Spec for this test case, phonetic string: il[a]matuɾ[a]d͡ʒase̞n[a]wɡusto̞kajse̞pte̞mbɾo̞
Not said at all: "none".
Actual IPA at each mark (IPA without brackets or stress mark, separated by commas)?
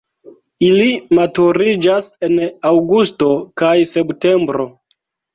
i, i, a